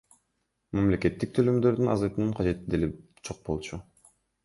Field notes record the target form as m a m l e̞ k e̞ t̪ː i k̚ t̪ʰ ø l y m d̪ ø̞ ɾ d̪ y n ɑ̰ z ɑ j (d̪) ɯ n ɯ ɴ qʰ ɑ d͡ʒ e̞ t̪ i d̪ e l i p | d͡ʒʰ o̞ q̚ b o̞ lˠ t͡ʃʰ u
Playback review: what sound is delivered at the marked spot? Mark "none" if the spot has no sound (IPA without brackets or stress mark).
t̪